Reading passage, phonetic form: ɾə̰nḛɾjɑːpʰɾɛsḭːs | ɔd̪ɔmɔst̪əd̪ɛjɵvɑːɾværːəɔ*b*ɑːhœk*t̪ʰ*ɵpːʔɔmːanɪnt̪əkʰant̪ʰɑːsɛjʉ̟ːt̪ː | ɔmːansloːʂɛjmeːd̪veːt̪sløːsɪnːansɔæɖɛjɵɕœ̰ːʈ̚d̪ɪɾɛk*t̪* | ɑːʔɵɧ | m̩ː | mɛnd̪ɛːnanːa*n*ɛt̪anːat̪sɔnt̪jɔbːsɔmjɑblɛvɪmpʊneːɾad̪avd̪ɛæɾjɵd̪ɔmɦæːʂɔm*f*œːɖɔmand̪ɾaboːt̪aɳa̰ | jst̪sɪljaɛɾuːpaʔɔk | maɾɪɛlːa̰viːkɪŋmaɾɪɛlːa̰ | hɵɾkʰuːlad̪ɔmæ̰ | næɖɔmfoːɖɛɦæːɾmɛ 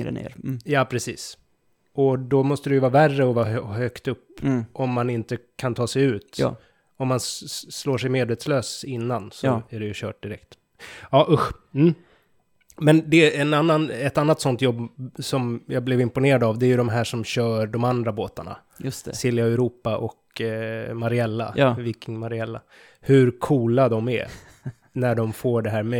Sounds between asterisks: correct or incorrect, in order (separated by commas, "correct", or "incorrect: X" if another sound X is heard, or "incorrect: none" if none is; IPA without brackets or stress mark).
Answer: incorrect: v, incorrect: t̪, correct, correct, incorrect: ɕ